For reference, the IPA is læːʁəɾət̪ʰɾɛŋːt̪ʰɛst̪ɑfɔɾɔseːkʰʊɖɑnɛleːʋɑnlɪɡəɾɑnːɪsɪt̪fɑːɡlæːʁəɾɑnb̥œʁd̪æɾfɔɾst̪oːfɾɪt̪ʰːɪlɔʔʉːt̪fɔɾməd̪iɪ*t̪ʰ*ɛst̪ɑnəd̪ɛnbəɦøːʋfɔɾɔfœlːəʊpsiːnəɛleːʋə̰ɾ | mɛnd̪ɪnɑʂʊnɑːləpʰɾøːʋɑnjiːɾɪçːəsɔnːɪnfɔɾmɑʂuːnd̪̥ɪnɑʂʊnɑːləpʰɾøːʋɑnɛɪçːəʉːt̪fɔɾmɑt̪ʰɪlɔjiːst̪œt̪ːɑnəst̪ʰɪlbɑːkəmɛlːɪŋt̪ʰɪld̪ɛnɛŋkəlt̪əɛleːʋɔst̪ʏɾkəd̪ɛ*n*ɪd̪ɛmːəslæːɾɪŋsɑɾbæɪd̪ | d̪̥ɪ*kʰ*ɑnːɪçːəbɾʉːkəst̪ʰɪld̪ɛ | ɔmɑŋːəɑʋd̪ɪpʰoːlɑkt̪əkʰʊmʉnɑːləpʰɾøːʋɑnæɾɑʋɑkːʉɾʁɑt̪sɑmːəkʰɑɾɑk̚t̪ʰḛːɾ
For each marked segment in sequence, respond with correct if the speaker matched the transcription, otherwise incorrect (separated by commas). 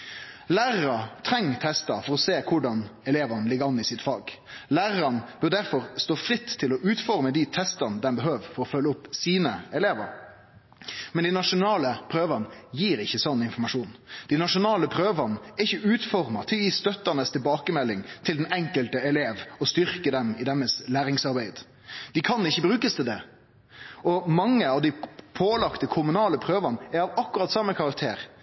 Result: correct, incorrect, correct